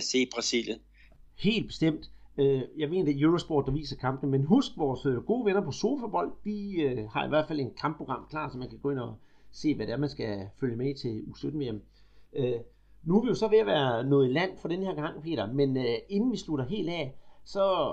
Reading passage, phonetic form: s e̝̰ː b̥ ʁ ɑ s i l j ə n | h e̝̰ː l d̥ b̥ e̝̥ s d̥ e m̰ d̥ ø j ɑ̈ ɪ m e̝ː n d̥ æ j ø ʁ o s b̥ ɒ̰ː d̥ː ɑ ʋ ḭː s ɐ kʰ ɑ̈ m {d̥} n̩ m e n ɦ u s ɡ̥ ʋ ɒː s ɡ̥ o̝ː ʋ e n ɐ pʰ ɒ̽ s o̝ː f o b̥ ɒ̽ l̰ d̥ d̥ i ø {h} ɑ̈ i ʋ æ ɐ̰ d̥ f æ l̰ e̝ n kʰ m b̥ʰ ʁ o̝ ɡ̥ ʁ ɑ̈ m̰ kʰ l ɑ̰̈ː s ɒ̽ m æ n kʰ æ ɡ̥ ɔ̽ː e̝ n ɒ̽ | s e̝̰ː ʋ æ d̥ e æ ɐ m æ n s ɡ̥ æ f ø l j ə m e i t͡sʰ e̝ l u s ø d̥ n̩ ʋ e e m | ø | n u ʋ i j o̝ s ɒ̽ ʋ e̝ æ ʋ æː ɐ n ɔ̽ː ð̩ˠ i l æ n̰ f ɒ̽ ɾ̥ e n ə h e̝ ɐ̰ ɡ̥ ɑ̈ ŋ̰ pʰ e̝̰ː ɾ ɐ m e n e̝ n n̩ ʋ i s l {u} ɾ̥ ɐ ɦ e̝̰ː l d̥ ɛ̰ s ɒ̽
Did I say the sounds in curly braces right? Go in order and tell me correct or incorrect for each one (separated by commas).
incorrect, correct, correct